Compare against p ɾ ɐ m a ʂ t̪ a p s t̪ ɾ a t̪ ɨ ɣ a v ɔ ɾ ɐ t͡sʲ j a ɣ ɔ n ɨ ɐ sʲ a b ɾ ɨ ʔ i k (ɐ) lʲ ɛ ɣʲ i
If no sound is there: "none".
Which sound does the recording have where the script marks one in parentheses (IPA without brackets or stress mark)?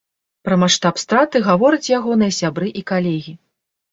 a